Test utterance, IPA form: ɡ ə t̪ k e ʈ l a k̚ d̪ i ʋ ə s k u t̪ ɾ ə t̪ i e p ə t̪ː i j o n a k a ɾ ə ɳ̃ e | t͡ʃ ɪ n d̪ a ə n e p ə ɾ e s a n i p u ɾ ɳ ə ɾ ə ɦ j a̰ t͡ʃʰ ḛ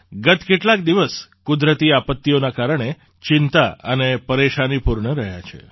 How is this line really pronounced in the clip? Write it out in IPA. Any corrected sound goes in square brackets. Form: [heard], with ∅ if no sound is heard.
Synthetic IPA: ɡ ə t̪ k e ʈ l a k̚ d̪ i ʋ ə s k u [d̪] ɾ ə t̪ i [a] p ə t̪ː i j o n a k a ɾ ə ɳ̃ e | t͡ʃ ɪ n [t̪] a ə n e p ə ɾ e [ʃ] a n i p u ɾ ɳ ə ɾ ə ɦ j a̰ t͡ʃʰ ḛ